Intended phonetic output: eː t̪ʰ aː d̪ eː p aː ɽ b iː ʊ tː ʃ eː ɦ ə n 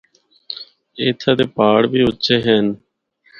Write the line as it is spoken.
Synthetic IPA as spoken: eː t̪ʰ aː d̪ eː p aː ɽ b iː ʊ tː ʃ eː ɦ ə n